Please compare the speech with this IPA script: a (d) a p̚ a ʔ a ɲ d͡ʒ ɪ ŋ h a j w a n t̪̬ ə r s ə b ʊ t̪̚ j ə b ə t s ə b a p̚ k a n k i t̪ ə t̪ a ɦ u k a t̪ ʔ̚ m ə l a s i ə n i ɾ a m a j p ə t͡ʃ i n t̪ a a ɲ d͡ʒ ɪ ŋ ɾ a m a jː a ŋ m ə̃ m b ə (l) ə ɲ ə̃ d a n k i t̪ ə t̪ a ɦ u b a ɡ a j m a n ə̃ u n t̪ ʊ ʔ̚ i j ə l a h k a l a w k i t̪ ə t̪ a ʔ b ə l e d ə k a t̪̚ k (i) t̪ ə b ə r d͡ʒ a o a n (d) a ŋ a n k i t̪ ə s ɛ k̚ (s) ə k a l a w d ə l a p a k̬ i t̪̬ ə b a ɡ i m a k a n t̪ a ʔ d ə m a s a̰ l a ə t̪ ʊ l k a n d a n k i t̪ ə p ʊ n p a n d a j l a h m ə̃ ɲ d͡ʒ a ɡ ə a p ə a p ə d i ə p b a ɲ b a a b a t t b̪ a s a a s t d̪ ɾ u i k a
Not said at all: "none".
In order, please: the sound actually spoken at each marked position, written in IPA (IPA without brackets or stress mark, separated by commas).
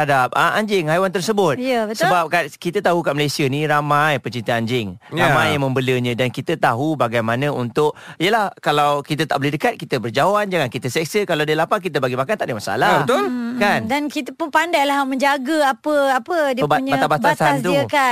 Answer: d, l, i, d͡ʒ, s